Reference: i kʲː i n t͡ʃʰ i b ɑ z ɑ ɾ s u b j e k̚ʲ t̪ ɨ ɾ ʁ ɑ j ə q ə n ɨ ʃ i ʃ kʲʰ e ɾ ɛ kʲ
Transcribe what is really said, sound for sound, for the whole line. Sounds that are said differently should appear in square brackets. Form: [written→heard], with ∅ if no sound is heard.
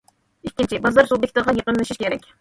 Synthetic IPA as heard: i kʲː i n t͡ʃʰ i b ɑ z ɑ ɾ s u b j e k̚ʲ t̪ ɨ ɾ ʁ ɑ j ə q ə n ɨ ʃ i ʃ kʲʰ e ɾ ɛ kʲ